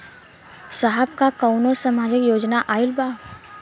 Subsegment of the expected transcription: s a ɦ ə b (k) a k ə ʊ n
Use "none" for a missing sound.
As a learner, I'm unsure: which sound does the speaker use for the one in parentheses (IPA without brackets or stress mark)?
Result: k